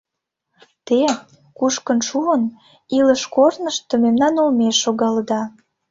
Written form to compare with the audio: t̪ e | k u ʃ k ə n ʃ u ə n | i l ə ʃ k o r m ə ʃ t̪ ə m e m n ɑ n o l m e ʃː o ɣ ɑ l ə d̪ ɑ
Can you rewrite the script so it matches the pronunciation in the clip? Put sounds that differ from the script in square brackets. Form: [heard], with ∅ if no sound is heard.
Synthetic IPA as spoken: t̪ e | k u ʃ k ə n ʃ u ə n | i l ə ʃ k o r [n] ə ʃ t̪ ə m e m n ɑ n o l m e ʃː o ɣ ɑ l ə d̪ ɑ